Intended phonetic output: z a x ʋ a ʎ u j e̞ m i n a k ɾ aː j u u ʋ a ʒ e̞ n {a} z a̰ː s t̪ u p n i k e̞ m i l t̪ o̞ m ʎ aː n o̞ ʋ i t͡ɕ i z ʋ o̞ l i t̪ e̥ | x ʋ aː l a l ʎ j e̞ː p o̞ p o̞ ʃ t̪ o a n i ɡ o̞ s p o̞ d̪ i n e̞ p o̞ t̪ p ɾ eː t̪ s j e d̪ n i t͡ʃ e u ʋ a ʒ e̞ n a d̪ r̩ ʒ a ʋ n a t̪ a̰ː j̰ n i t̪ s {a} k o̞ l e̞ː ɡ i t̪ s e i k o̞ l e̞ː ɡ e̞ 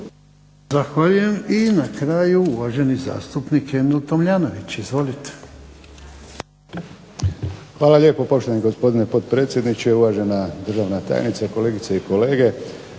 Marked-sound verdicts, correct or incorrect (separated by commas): incorrect, correct